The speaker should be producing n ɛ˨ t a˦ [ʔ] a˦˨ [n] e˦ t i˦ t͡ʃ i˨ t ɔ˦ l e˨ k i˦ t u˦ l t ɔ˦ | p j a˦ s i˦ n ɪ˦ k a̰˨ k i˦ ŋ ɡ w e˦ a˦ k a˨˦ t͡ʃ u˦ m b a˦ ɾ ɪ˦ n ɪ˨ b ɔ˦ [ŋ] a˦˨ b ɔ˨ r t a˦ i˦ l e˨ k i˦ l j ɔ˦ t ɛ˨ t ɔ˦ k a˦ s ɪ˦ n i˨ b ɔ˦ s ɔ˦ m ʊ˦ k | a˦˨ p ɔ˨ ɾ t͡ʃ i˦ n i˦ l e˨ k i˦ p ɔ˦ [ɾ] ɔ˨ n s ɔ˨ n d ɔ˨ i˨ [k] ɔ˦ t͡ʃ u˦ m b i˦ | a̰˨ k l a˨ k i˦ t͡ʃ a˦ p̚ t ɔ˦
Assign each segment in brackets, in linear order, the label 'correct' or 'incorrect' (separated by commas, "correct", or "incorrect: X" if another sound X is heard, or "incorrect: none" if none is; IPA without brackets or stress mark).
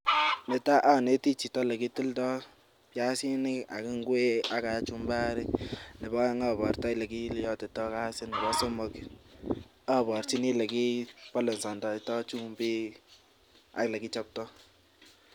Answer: correct, correct, correct, incorrect: l, incorrect: t